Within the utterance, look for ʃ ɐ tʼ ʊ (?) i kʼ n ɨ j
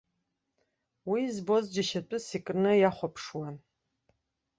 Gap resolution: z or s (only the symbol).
s